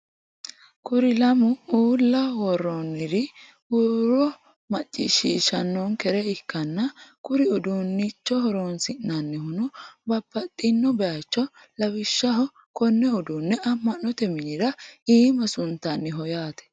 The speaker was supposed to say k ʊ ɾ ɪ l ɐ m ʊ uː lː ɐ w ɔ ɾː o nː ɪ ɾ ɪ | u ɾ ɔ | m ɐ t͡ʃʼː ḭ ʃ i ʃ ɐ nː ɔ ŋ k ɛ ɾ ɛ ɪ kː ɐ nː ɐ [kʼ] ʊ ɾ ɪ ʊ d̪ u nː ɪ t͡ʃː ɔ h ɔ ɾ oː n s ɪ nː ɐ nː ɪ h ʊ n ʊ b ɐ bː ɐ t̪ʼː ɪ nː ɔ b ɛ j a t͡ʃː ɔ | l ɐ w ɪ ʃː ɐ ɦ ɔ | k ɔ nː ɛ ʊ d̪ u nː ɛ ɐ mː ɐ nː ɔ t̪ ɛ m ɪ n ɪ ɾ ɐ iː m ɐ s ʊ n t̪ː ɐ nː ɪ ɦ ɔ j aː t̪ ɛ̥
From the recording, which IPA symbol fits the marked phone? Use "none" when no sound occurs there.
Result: k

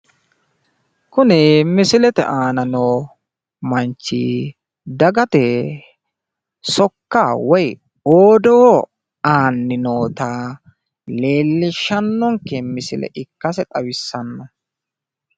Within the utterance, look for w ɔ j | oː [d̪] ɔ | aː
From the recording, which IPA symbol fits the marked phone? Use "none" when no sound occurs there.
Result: d̪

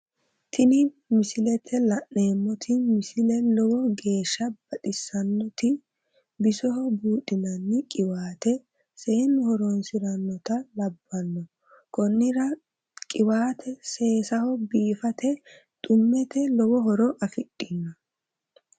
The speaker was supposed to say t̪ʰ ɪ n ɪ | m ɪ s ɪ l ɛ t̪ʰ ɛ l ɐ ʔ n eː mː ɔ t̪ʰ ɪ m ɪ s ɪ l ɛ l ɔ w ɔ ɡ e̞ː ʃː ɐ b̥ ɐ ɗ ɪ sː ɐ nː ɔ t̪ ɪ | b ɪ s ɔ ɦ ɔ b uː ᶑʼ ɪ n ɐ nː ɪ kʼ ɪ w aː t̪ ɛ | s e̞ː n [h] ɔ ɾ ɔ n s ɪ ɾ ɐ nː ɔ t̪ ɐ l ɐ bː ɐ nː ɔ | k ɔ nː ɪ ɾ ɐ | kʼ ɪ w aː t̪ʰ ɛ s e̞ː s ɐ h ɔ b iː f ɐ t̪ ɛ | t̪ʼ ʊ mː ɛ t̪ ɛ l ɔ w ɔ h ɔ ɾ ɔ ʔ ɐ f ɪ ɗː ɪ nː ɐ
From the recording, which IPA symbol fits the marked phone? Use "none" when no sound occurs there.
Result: h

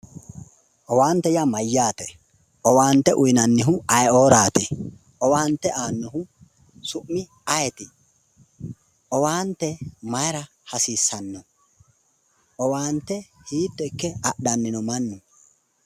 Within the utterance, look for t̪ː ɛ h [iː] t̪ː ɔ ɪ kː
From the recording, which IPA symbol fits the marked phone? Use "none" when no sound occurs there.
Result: iː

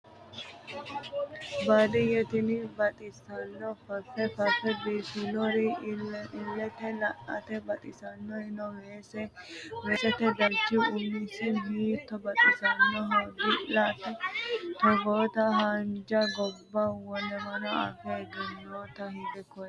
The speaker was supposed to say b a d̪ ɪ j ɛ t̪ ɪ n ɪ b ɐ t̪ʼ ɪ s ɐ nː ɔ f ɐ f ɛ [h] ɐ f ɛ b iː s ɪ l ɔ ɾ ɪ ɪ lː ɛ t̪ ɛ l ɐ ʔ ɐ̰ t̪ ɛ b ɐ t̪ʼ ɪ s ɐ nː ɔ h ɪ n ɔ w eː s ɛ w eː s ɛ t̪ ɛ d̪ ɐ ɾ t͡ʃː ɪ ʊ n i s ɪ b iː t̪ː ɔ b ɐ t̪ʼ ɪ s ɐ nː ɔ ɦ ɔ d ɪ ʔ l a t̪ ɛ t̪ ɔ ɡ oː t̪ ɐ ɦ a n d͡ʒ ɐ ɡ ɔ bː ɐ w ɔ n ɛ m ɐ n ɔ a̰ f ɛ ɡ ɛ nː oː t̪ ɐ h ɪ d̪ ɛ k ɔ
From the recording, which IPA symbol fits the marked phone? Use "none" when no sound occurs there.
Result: f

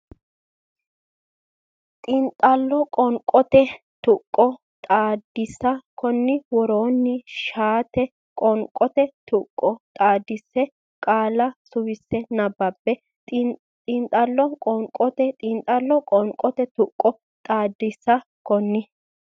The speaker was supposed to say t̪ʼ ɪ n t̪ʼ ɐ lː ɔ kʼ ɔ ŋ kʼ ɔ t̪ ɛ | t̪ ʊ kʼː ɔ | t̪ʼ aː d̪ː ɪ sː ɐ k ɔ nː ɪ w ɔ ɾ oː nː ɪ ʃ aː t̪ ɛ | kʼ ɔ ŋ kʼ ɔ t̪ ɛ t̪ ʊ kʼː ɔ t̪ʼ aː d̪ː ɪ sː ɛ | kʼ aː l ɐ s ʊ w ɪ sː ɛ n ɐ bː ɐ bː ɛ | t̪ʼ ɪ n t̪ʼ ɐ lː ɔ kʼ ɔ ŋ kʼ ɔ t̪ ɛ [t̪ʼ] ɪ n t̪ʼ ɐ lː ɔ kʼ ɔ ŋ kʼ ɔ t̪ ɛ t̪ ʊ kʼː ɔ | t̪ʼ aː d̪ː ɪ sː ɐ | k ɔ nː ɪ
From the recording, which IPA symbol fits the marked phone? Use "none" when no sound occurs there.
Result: t̪ʼ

